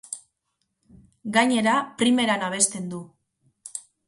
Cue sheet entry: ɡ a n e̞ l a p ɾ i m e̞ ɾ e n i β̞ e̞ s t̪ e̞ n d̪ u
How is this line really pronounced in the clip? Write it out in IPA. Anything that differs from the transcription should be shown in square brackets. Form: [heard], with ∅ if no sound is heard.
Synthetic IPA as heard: ɡ a [ɲ] e̞ [ɾ] a p ɾ i m e̞ ɾ [a] n [a] β̞ e̞ s t̪ e̞ n d̪ u